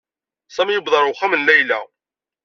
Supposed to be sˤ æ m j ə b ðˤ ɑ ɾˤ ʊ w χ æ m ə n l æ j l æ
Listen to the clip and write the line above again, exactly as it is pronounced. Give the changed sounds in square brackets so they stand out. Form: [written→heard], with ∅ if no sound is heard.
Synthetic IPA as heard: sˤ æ m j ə b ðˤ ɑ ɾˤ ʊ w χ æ m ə n l æ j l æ